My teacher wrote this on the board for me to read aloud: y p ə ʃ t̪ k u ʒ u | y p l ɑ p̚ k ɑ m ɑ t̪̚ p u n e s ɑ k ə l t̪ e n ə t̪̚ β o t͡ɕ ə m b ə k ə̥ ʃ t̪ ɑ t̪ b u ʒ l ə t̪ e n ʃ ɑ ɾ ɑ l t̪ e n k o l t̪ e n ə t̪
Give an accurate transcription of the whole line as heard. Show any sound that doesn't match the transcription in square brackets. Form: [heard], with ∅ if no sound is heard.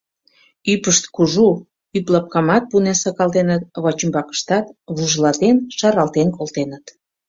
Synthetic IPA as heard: y p ə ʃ t̪ k u ʒ u | y p l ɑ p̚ k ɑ m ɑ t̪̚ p u n e s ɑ k [ɑ] l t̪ e n ə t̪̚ β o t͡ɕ ə m b [ɑ] k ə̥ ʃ t̪ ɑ t̪ [β] u ʒ l [ɑ] t̪ e n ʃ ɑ ɾ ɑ l t̪ e n k o l t̪ e n ə t̪